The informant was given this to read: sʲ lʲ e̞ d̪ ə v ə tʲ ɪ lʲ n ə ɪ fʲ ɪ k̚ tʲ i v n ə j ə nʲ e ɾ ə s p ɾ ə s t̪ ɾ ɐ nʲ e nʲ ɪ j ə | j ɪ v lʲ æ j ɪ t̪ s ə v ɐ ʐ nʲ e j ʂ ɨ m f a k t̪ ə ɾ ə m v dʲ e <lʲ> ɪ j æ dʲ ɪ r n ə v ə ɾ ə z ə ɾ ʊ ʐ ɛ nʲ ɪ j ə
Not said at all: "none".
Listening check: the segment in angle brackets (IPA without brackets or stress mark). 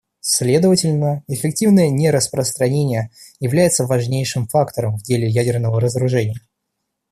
lʲ